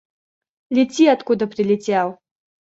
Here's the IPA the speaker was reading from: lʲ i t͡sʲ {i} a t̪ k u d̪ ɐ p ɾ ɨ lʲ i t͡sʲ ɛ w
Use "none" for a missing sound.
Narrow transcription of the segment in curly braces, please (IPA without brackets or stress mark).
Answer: i